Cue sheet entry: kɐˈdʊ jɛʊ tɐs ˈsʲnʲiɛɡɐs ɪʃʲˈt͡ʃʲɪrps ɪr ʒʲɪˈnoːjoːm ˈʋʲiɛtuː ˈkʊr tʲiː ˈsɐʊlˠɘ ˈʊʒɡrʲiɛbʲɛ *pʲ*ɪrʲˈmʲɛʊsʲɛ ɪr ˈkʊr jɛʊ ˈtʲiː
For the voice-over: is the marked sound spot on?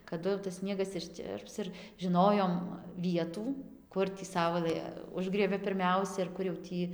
yes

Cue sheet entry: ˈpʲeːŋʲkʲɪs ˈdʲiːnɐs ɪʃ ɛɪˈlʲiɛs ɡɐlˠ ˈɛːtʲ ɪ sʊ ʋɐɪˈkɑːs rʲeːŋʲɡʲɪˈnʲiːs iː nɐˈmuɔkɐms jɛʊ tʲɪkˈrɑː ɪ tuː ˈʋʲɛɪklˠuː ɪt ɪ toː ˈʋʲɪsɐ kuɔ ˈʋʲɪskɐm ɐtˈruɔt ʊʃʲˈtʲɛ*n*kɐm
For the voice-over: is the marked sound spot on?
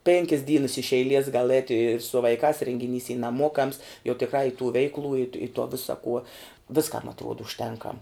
no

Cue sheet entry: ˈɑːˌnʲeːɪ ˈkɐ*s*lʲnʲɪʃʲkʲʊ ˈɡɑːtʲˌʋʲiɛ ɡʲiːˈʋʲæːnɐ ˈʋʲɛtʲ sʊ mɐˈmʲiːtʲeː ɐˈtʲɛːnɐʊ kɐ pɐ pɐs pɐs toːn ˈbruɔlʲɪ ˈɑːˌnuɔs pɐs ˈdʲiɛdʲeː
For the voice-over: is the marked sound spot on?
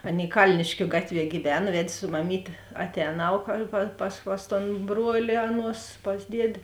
no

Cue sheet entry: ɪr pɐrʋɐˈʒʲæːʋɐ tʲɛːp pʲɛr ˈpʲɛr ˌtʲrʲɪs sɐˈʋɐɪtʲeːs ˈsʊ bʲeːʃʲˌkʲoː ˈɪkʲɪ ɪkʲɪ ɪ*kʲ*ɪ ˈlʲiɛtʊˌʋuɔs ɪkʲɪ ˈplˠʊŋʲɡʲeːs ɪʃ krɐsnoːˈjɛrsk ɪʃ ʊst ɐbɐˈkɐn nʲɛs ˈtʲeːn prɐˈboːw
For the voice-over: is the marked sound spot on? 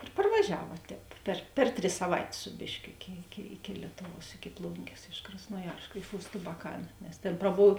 yes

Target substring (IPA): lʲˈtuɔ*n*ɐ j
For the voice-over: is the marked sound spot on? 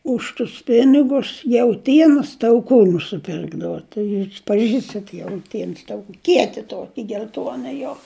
yes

